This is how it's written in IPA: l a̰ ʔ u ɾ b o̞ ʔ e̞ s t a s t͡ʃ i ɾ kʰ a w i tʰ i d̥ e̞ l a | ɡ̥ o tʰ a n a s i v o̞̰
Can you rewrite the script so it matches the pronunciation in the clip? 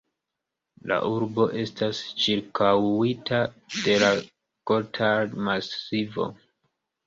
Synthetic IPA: l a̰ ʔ u ɾ b o̞ ʔ e̞ s t a s t͡ʃ i ɾ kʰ a w i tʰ a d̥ e̞ l a | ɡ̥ o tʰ a m a s i v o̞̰